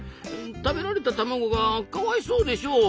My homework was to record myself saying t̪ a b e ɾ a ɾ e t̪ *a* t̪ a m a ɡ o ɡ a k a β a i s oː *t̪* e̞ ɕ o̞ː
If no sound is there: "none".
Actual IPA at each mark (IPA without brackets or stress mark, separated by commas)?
a, d̪